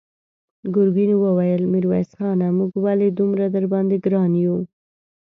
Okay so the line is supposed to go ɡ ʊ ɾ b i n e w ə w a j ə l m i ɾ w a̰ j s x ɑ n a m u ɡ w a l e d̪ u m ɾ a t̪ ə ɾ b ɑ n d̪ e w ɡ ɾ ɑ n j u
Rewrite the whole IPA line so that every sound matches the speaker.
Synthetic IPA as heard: ɡ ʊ ɾ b i n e w ə w a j ə l m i ɾ w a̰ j s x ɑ n a m u ɡ w a l e d̪ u m ɾ a d̪ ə ɾ b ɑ n d̪ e ɡ ɾ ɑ n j u